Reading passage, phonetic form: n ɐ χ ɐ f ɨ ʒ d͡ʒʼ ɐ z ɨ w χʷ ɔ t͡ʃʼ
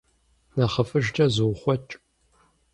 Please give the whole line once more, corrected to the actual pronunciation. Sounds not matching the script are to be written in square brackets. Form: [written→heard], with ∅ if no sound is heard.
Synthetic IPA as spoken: n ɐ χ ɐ f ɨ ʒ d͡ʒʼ ɐ z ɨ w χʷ ɔ t͡ʃʼ